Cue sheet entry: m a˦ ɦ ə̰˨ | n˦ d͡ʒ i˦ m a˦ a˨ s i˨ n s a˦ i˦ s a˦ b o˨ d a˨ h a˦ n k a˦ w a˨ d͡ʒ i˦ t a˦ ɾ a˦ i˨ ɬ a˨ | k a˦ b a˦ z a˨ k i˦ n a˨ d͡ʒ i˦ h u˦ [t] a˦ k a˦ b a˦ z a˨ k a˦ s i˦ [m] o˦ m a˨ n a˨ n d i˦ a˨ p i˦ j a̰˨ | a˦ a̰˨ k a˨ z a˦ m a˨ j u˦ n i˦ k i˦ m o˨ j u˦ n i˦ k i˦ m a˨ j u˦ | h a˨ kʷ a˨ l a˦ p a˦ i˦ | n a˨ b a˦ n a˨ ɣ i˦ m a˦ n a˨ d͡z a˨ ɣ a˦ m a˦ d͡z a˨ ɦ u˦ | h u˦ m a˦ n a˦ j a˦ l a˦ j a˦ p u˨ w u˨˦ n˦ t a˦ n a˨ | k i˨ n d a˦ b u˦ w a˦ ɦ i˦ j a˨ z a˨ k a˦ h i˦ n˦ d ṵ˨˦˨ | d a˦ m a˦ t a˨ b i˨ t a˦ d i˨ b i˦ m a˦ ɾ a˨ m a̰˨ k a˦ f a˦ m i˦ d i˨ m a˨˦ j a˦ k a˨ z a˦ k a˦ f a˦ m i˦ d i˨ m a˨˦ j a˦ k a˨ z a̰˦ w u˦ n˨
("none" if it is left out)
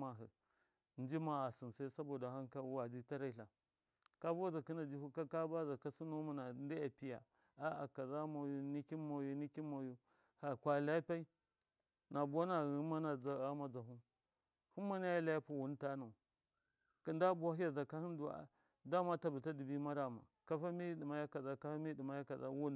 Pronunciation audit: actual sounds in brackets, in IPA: k, n

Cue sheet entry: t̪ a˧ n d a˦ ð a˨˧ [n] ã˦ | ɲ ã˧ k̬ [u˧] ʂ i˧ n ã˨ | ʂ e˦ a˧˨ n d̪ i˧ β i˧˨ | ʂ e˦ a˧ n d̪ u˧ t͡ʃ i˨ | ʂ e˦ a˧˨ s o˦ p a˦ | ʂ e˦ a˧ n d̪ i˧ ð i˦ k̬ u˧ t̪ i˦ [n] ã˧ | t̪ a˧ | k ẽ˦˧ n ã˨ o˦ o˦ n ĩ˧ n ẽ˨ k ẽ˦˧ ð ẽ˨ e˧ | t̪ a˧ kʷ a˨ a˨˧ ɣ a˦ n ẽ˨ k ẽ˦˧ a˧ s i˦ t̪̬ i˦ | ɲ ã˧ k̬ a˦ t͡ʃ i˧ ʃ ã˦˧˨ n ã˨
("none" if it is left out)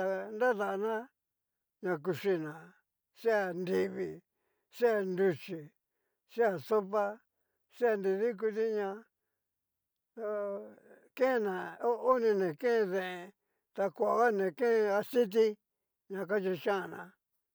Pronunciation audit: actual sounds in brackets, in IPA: n, u˧, ɲ

